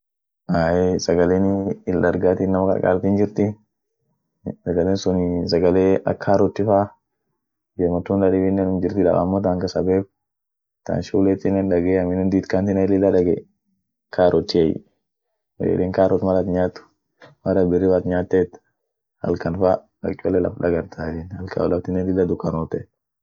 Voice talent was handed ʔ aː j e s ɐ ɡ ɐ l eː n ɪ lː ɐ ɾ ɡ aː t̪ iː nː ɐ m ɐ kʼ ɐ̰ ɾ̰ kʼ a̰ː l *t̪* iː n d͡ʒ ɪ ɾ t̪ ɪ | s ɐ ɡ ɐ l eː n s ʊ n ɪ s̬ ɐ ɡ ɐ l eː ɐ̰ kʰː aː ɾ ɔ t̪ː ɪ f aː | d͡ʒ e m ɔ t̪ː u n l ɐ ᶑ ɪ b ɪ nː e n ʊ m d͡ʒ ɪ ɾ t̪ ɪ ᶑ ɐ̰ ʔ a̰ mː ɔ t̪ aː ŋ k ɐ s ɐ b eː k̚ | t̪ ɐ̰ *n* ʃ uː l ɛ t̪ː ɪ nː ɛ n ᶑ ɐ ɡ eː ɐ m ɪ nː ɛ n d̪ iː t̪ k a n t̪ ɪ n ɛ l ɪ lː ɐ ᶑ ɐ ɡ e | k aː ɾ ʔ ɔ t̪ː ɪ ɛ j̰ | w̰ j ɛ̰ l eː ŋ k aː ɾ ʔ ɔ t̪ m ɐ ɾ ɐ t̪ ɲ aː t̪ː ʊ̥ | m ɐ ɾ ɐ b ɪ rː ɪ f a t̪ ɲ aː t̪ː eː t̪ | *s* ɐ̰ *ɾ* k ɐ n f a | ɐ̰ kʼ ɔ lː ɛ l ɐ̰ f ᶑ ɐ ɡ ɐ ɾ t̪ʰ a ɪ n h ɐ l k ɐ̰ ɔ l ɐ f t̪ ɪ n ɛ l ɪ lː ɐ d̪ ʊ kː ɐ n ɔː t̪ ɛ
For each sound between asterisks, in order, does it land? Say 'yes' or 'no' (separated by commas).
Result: yes, yes, no, no